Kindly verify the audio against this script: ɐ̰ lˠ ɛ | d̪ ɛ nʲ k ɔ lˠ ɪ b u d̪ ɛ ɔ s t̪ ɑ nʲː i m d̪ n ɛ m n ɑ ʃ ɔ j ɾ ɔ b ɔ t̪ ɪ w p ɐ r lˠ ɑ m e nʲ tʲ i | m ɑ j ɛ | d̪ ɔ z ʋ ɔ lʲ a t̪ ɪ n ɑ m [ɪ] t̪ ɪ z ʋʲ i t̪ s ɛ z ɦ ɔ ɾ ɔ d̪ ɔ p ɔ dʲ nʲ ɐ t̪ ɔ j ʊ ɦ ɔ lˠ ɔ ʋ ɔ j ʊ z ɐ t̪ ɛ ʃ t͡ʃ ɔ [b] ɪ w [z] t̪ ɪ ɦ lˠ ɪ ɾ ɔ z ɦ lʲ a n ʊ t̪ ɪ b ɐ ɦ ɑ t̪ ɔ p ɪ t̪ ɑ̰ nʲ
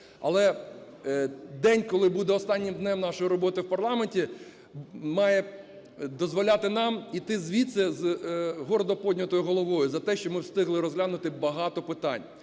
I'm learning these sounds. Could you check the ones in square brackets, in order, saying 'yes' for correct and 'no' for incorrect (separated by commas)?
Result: no, no, no